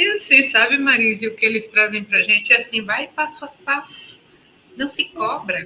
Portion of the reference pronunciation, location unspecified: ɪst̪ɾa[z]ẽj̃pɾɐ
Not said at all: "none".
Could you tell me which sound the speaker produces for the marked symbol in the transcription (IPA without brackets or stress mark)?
z